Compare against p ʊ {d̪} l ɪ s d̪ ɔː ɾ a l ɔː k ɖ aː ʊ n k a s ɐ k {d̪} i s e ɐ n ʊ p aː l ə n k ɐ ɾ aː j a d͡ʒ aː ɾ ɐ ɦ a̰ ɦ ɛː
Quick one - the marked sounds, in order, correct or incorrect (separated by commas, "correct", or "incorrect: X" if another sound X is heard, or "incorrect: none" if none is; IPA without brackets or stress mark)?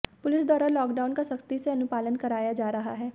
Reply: incorrect: none, incorrect: t̪